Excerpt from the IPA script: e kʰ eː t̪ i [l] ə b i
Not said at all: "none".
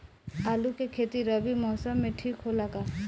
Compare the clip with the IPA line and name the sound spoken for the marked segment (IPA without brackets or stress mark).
ɾ